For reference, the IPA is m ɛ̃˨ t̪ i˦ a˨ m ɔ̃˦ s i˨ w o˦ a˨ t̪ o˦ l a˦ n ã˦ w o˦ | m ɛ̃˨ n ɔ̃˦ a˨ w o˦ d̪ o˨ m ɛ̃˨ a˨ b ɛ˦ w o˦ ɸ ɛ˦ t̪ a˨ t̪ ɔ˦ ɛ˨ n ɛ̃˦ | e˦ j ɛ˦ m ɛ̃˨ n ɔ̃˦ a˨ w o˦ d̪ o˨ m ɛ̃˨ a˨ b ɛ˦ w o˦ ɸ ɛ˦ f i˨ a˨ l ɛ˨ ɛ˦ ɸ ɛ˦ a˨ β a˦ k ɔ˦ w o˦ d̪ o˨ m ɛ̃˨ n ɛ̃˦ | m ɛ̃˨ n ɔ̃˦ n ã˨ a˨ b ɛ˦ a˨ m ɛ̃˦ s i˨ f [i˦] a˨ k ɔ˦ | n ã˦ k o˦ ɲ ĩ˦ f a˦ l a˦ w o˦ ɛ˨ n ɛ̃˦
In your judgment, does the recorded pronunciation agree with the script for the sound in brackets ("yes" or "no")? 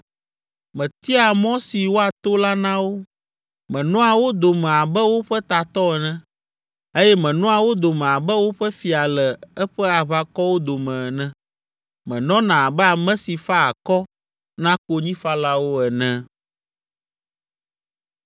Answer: no